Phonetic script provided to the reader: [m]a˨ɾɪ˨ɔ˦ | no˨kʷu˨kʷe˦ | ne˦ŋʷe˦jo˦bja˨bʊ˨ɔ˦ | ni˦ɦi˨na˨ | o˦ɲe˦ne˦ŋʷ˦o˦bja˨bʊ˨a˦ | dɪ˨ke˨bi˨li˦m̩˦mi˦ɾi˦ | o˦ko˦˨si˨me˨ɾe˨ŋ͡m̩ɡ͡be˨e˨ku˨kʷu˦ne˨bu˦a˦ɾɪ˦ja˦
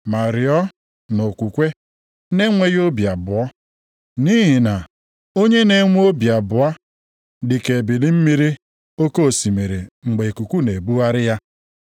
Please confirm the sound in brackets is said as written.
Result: yes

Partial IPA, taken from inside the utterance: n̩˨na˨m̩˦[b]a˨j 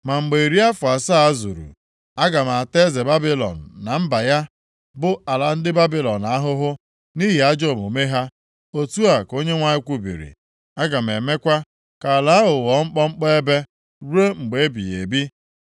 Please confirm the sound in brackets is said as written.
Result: yes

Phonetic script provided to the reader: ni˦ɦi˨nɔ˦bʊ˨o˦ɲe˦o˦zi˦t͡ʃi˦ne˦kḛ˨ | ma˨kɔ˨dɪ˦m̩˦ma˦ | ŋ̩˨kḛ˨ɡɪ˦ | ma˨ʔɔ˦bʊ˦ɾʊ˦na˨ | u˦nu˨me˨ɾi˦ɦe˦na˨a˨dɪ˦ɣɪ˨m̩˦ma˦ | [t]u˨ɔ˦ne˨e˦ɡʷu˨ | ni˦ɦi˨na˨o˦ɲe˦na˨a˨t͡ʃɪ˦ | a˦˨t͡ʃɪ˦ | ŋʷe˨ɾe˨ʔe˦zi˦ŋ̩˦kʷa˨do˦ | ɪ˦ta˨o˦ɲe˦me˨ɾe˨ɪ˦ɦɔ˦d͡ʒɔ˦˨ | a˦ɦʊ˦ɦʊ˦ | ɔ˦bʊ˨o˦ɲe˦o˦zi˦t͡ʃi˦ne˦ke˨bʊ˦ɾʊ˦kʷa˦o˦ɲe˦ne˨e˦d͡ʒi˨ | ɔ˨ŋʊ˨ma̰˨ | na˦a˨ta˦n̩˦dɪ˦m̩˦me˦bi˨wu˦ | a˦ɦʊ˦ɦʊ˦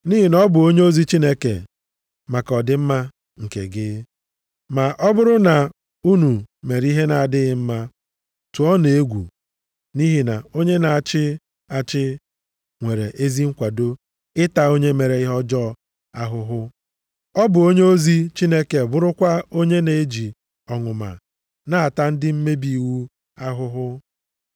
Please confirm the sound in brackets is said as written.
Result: yes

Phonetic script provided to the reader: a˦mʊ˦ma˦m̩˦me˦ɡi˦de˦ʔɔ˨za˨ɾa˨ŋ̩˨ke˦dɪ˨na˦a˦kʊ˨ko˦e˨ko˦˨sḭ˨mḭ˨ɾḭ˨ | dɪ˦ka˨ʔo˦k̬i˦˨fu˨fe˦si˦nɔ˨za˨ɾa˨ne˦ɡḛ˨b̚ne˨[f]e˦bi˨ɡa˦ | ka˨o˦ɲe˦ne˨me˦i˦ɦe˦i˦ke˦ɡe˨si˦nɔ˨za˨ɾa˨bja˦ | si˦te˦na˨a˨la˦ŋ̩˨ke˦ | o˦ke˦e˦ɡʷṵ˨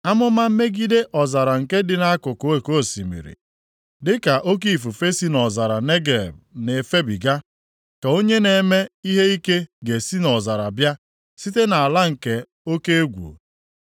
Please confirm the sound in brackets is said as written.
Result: yes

